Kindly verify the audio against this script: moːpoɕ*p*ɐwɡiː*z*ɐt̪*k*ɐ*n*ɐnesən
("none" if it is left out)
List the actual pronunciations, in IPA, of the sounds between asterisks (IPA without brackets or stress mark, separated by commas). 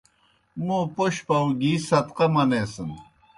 p, s, q, m